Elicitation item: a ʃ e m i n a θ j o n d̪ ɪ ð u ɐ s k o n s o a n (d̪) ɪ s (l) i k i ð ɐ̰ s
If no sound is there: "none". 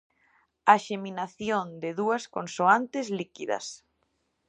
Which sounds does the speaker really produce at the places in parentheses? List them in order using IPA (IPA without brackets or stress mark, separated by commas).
t̪, l